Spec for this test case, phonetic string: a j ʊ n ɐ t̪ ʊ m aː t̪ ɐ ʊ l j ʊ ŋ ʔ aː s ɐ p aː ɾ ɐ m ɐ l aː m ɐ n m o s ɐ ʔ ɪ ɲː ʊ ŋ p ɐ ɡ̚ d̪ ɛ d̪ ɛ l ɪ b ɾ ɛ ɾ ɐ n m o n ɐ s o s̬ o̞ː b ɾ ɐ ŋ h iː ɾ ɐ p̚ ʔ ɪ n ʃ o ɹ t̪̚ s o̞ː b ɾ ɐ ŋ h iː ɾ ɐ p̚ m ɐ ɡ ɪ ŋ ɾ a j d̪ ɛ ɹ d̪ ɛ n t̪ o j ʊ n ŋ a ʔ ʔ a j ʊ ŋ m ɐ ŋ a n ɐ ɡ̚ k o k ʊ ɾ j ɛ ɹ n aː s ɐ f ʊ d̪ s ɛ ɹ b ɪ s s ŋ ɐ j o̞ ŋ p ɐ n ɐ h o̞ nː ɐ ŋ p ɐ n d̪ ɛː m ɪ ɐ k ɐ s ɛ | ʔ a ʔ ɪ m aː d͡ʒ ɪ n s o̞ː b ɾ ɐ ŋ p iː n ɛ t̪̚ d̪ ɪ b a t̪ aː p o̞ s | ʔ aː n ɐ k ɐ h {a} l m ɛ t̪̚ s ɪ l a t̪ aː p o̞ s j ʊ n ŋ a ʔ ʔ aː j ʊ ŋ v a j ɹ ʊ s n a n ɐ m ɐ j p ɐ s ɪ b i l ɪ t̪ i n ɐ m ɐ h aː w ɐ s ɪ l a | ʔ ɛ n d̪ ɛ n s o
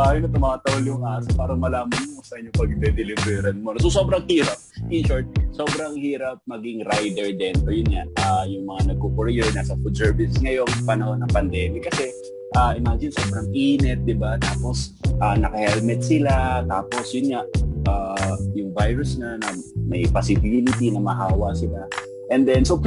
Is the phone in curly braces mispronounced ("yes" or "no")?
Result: yes